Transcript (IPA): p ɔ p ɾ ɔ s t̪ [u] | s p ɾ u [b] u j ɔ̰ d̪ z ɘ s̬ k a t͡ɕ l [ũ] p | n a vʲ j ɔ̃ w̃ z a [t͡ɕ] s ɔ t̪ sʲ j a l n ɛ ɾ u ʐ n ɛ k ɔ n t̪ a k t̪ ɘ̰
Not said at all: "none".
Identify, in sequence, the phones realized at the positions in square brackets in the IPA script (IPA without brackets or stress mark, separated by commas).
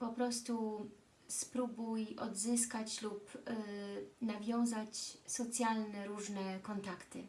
u, b, u, t͡ɕ